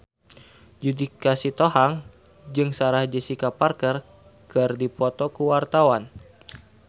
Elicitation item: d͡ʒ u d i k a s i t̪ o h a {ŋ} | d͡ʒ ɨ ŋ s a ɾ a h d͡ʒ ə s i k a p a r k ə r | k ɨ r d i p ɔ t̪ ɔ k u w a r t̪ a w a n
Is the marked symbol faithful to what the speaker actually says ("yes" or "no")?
yes